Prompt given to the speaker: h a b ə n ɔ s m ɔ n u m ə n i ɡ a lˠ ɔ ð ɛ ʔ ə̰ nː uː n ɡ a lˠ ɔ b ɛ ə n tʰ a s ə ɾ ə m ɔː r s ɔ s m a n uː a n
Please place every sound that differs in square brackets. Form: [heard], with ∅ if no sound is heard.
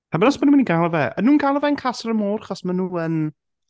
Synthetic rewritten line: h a b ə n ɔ s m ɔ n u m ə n i ɡ a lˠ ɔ [v] ɛ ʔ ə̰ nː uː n ɡ a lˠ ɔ [v] ɛ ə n [kʰ] a s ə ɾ ə m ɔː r [χ] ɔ s m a n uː [ə] n